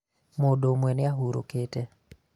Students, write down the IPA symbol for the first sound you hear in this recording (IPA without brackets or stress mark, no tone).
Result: m